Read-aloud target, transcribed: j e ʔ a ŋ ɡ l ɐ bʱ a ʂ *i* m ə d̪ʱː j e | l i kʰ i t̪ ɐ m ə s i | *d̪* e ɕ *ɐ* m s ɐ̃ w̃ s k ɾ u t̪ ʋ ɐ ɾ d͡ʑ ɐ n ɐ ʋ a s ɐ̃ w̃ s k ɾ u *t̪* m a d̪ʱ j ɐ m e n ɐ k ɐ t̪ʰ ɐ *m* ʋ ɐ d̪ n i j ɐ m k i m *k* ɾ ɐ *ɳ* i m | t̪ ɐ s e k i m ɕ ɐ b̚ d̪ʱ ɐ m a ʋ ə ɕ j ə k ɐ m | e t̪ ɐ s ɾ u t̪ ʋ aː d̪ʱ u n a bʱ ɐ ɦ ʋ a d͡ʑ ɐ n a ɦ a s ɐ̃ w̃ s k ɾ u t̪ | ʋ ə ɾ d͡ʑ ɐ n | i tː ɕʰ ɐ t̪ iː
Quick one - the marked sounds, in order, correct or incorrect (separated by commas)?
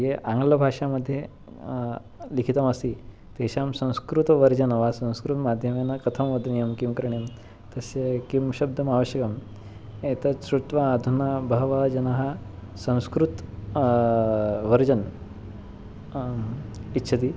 incorrect, incorrect, incorrect, correct, correct, correct, correct